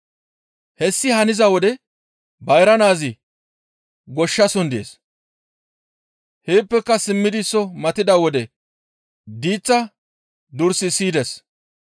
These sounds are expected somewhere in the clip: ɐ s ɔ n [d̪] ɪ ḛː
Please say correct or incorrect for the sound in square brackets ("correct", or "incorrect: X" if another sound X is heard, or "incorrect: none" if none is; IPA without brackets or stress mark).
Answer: correct